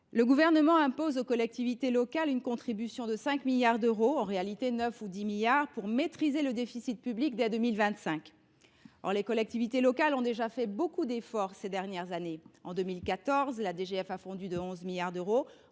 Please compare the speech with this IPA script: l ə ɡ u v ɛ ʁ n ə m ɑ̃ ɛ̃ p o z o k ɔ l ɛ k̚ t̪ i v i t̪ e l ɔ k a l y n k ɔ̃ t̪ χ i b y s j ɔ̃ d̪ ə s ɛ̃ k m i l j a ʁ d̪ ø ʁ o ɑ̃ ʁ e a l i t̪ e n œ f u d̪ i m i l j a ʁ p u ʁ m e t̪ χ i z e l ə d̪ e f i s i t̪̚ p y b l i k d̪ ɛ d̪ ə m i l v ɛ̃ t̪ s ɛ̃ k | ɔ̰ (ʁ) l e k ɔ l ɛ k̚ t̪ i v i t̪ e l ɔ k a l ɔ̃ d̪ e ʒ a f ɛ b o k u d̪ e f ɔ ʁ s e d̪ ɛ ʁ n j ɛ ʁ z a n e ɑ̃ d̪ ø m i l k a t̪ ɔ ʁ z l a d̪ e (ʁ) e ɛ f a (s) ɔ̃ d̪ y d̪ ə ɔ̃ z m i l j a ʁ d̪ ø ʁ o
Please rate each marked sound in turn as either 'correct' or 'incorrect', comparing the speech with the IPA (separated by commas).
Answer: correct, incorrect, incorrect